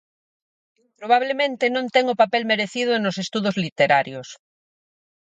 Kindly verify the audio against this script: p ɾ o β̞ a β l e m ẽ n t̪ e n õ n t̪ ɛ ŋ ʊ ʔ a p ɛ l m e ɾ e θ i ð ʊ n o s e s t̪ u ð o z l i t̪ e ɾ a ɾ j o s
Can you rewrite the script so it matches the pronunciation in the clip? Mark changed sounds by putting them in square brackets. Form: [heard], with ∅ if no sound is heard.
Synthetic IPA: p ɾ o β̞ a β l e m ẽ n t̪ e n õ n t̪ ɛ ŋ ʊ [p] a p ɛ l m e ɾ e θ i ð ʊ n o s e s t̪ u ð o z l i t̪ e ɾ a ɾ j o s